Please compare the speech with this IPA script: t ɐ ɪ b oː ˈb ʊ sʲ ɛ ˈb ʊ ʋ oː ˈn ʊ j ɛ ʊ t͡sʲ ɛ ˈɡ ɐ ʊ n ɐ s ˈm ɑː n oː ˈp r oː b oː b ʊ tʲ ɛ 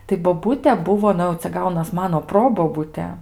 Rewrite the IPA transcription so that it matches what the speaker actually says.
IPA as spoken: t ɐ ɪ b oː ˈb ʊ tʲ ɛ ˈb ʊ ʋ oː ˈn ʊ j ɛ ʊ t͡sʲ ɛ ˈɡ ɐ ʊ n ɐ s ˈm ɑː n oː ˈp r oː b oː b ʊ tʲ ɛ